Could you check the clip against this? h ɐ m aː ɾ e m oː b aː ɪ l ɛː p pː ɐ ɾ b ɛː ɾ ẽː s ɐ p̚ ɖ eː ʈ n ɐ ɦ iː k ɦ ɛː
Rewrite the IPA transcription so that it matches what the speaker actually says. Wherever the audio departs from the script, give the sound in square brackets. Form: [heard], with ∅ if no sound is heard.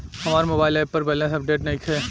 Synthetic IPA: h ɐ m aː ɾ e m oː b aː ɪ l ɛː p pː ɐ ɾ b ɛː [l] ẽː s ɐ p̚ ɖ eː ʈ n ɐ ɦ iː k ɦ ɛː